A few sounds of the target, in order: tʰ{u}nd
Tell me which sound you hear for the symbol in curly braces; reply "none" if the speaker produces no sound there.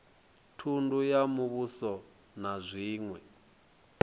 u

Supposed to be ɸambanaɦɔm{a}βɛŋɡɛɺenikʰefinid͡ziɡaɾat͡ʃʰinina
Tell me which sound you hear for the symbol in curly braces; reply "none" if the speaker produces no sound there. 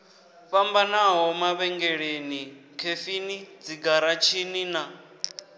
a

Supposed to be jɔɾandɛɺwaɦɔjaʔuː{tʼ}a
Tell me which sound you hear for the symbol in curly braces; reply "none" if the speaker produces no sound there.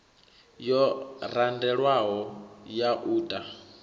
tʼ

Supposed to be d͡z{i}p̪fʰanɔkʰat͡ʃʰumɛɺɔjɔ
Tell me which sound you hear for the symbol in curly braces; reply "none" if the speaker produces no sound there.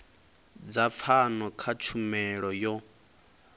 a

